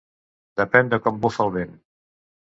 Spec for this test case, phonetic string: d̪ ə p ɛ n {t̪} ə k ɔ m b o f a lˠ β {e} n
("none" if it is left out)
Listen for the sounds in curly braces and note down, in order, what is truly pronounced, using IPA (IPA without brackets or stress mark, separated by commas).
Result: d̪, e